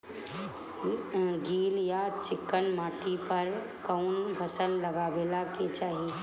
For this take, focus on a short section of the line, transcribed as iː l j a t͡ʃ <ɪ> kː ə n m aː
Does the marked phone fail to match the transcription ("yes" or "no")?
no